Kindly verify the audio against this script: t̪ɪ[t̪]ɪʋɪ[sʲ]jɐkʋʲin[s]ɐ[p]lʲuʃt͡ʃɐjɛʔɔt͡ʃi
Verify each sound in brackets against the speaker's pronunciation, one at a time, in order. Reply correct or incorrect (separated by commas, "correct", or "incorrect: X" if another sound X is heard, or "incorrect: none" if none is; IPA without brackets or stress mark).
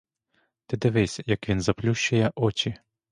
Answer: incorrect: d̪, correct, incorrect: z, correct